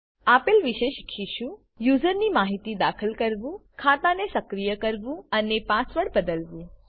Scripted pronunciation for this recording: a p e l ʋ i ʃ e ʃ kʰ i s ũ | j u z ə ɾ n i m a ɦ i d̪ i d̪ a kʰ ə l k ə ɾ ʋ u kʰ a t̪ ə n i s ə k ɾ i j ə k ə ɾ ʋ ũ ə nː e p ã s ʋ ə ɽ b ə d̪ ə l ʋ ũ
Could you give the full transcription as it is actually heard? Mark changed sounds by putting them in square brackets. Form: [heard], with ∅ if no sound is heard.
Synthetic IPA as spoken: a p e l ʋ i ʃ e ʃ kʰ i [ʃ] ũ | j u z ə ɾ n i m a ɦ i [t̪] i d̪ a kʰ ə l k ə ɾ ʋ [ũ] kʰ a t̪ [a] n [e] s ə k ɾ i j ə k ə ɾ ʋ ũ ə [n] e p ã s ʋ ə ɽ b ə d̪ ə l ʋ ũ